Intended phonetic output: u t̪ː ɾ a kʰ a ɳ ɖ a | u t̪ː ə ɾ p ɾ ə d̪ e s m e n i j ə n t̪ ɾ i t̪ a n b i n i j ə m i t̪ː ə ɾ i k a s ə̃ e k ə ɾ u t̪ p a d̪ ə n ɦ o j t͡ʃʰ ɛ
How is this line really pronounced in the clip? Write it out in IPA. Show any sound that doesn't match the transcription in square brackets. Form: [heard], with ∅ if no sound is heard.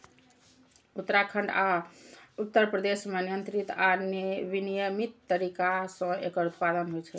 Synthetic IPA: u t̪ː ɾ a kʰ [ə] ɳ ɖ a | u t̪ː ə ɾ p ɾ ə d̪ e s m e n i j ə n t̪ ɾ i t̪ a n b i n i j ə m i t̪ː ə ɾ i k a s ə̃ e k ə ɾ u t̪ p a d̪ ə n ɦ o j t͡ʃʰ ɛ